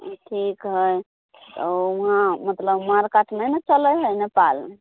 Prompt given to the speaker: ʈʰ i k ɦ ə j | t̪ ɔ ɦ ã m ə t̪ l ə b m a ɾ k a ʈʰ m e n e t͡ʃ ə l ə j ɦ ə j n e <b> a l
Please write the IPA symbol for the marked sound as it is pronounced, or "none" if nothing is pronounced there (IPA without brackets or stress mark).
p